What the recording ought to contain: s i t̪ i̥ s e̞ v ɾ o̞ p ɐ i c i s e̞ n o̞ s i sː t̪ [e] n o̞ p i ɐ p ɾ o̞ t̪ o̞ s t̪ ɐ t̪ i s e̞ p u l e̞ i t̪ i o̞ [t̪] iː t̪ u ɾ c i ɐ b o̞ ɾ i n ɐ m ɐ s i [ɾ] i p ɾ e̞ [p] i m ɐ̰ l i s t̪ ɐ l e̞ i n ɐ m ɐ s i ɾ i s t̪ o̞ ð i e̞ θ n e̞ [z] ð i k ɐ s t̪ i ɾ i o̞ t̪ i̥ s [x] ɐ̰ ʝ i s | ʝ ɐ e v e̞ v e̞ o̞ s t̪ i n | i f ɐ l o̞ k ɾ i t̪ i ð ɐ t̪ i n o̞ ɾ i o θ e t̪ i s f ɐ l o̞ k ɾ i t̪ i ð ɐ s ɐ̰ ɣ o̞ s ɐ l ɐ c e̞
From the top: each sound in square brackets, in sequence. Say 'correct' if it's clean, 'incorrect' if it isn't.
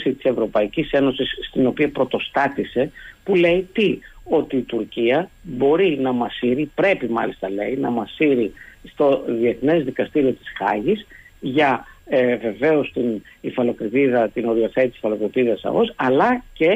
incorrect: i, correct, correct, correct, correct, correct

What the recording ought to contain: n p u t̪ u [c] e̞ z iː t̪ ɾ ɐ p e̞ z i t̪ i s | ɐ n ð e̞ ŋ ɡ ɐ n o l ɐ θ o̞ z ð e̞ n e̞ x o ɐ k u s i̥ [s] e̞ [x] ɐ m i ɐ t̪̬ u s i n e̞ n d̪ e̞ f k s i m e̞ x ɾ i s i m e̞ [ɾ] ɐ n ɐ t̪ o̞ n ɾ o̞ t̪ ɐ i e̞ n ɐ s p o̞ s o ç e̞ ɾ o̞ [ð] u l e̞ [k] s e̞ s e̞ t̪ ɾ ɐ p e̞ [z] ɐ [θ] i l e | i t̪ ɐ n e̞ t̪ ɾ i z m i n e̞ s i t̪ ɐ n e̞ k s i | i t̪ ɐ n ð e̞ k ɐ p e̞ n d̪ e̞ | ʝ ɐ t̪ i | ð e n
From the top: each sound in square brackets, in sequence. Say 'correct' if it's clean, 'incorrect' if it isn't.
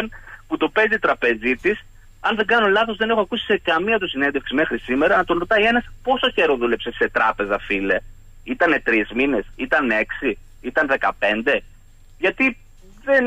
incorrect: p, correct, incorrect: k, correct, correct, incorrect: p, correct, incorrect: f

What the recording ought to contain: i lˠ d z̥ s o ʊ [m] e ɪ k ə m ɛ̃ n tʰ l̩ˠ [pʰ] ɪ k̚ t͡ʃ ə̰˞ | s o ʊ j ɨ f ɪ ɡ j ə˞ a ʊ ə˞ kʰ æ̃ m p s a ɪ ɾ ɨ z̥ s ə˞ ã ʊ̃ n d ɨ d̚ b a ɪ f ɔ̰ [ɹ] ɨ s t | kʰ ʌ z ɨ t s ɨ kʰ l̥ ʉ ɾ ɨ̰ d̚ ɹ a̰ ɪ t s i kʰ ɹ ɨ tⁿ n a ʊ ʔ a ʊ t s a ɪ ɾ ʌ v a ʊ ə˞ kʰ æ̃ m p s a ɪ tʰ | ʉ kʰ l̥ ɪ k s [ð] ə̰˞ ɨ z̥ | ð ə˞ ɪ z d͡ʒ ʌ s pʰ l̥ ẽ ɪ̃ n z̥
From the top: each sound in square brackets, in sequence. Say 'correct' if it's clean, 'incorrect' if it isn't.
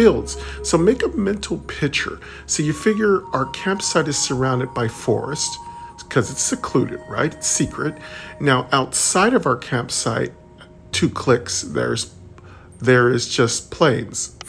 correct, correct, correct, correct

